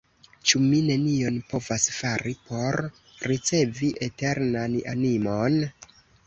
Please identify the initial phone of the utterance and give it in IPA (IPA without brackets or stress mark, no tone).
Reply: t͡ʃ